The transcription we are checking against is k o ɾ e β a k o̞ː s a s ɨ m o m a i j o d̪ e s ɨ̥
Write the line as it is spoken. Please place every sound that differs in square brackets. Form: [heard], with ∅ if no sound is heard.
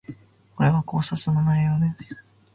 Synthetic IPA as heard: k o ɾ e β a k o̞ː s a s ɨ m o [n] a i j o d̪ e s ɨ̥